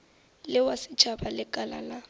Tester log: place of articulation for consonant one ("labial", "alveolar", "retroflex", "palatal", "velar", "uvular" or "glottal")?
alveolar